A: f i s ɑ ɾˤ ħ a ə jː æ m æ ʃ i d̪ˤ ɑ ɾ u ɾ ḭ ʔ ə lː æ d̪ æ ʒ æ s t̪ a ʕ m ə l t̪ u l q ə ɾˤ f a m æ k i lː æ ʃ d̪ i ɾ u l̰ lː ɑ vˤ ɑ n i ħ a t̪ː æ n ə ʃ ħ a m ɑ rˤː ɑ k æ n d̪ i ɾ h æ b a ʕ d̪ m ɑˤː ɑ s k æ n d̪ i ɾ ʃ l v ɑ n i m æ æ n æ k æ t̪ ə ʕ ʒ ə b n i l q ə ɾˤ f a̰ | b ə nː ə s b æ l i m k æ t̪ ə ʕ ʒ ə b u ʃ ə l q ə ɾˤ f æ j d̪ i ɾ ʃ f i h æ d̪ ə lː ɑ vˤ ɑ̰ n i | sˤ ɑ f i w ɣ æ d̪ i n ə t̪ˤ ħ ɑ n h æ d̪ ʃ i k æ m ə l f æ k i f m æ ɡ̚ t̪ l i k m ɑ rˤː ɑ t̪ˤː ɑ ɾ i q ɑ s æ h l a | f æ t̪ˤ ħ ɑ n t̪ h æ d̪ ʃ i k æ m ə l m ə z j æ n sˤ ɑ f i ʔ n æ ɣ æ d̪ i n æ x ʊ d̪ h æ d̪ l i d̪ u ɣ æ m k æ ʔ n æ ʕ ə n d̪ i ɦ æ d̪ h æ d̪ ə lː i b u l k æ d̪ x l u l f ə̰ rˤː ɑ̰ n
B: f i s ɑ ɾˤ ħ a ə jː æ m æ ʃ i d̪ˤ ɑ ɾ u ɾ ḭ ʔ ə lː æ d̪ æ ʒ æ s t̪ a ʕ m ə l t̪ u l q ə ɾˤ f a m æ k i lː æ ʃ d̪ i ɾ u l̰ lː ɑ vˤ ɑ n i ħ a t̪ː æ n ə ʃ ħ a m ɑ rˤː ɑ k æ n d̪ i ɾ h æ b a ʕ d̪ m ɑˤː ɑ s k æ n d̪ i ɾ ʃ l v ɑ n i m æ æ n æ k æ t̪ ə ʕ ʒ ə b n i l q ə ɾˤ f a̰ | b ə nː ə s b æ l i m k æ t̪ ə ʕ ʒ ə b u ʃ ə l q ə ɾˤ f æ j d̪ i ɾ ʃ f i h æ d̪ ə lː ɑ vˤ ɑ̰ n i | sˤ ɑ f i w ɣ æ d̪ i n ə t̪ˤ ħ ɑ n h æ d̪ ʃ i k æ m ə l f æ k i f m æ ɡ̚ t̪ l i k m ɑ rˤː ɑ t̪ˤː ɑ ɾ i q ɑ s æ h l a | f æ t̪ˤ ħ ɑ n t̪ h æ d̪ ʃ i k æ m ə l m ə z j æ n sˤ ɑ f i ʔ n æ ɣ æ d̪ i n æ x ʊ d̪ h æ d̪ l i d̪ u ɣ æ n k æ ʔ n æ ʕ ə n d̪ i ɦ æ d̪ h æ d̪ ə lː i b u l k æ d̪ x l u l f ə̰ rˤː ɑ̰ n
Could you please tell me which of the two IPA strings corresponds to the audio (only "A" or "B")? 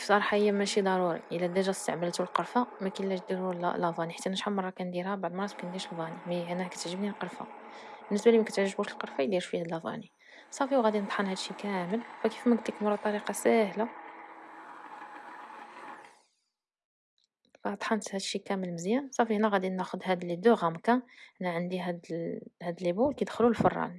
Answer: A